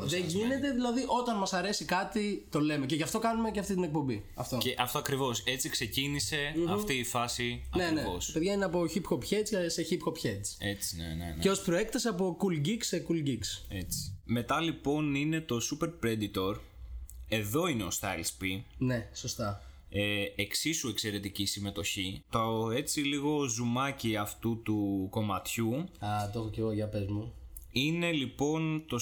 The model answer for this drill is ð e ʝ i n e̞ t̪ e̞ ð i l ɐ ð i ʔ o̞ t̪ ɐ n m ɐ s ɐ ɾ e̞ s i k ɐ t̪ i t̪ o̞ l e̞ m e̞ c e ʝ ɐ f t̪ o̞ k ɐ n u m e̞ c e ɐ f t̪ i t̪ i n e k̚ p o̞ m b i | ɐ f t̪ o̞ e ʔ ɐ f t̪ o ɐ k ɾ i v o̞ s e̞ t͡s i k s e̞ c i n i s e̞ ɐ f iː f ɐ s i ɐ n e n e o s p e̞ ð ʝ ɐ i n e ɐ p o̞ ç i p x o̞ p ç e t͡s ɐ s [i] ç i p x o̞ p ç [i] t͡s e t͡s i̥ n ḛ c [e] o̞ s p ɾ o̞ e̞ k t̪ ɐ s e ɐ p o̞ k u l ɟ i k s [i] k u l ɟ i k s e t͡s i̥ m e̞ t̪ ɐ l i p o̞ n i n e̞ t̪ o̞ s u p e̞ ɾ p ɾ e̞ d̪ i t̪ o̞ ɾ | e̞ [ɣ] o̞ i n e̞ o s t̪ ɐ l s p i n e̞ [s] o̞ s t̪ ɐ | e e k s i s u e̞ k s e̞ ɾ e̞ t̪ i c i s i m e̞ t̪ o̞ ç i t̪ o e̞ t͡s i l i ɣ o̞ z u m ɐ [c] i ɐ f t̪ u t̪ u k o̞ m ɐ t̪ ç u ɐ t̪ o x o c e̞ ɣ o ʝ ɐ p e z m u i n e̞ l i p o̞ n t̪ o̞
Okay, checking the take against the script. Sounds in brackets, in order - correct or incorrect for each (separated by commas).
incorrect, incorrect, correct, incorrect, incorrect, correct, correct